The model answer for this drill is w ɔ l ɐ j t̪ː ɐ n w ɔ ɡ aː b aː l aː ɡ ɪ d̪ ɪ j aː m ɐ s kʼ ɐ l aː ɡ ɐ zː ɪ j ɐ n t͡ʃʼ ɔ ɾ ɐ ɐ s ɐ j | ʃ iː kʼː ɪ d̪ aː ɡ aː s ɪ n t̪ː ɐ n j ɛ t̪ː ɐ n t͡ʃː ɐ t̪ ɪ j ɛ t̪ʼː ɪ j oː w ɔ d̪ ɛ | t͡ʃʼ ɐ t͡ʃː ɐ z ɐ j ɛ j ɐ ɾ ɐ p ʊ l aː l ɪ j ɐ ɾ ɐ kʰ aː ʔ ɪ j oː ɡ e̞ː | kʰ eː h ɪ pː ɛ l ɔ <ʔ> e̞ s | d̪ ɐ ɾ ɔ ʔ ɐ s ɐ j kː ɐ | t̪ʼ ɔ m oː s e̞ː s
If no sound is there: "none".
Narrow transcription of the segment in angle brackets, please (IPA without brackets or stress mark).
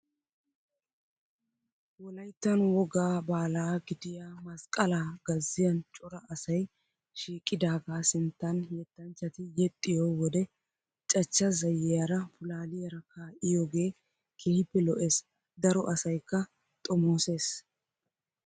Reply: ʔ